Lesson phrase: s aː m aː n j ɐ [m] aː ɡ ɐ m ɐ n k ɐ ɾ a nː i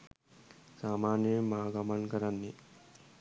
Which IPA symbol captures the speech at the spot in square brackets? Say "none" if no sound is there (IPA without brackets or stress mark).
m